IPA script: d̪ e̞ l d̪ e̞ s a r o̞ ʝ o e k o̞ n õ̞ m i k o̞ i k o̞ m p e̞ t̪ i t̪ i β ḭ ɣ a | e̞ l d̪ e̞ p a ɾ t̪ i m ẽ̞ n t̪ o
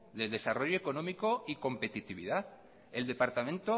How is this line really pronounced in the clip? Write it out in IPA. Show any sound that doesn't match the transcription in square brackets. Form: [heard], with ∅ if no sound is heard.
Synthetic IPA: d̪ e̞ l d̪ e̞ s a r o̞ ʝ o e k o̞ n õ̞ m i k o̞ i k o̞ m p e̞ t̪ i t̪ i β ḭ [ð] a | e̞ l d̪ e̞ p a ɾ t̪ [a] m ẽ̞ n t̪ o